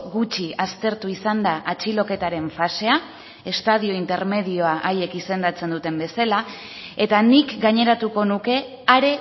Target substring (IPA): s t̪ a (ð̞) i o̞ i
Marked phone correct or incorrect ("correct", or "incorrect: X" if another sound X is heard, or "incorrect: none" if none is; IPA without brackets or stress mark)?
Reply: correct